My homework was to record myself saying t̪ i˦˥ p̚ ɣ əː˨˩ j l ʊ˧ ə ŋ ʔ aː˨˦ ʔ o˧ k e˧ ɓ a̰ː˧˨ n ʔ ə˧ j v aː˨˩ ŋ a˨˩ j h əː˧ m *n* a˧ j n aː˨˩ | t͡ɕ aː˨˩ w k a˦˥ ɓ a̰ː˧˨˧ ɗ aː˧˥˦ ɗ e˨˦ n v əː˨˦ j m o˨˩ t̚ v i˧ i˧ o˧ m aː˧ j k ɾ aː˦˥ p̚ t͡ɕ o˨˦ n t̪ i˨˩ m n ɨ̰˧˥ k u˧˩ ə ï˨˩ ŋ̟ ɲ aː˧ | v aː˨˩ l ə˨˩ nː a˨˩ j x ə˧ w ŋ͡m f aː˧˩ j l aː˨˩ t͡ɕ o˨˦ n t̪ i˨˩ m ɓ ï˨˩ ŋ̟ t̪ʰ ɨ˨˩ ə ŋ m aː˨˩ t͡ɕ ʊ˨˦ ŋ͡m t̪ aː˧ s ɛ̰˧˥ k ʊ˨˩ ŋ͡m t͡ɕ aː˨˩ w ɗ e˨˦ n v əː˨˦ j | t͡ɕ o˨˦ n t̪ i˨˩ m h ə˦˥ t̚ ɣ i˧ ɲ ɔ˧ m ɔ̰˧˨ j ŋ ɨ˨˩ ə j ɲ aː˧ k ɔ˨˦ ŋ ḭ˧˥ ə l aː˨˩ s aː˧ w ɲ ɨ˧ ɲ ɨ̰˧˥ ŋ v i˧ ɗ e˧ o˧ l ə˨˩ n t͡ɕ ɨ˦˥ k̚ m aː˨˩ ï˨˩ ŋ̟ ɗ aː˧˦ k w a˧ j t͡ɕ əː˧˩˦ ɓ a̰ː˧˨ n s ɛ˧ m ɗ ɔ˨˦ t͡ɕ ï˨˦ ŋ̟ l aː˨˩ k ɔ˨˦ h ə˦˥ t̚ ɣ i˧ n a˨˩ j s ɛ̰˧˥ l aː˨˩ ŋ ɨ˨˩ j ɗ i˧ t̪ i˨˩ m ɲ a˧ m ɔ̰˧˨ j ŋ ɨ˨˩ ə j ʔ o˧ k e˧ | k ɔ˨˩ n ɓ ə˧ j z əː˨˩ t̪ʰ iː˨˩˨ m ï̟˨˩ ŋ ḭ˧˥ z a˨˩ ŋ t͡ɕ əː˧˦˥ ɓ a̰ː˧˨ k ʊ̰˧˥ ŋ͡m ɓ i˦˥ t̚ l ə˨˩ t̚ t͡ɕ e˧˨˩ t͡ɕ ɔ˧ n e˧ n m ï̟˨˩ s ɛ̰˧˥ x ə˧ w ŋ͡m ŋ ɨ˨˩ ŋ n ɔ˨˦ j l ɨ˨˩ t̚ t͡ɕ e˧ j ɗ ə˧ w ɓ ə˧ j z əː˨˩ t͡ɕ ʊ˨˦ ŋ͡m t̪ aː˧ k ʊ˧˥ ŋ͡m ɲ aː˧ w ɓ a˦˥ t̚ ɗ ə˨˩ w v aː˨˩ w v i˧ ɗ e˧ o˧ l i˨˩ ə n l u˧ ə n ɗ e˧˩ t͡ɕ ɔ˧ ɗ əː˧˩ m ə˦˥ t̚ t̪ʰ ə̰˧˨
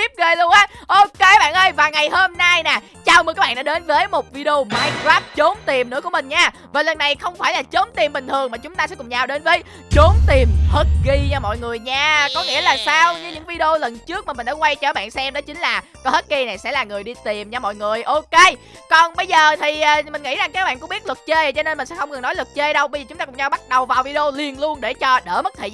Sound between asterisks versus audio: correct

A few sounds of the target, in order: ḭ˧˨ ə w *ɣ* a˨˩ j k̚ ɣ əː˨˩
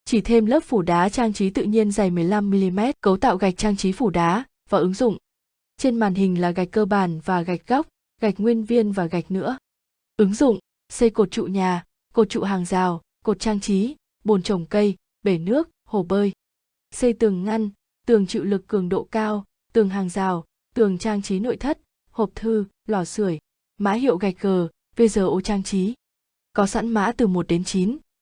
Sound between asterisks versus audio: correct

